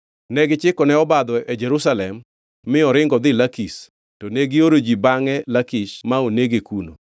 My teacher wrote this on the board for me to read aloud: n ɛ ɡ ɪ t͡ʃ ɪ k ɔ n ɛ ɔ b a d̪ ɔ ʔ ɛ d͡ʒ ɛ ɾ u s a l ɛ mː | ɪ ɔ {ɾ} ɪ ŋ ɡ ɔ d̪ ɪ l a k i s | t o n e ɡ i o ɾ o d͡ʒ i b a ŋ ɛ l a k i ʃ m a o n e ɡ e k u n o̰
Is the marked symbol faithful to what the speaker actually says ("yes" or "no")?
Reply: yes